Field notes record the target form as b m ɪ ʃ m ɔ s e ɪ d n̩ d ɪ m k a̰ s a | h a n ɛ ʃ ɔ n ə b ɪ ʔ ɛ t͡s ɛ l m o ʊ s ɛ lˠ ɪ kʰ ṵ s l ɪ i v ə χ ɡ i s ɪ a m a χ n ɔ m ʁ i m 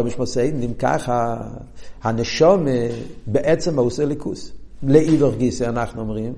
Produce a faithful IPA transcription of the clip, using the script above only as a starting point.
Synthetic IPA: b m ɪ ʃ m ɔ s e ɪ d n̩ d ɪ m k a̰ χ a | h a n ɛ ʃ ɔ m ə b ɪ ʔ ɛ t͡s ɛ m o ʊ s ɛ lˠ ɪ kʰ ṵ s l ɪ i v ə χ ɡ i s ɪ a n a χ n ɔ m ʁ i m